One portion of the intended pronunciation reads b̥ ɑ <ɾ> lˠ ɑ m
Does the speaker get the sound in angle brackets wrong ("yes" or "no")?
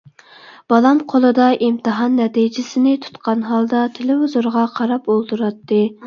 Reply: yes